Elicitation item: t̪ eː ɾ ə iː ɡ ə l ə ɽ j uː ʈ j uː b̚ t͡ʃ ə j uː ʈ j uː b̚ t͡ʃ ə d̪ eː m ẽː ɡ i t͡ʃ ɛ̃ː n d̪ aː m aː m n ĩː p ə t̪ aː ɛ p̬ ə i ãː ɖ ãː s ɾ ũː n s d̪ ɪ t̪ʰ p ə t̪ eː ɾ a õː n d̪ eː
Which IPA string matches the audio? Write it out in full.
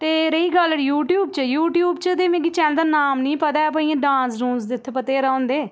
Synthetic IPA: t̪ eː ɾ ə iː ɡ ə l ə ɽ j uː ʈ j uː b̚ t͡ʃ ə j uː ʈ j uː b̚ t͡ʃ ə d̪ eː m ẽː ɡ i t͡ʃ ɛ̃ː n d̪ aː n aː m n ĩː p ə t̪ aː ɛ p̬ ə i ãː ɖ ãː s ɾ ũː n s d̪ ɪ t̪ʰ p ə t̪ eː ɾ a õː n d̪ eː